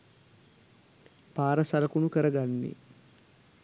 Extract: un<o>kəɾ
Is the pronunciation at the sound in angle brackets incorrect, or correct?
incorrect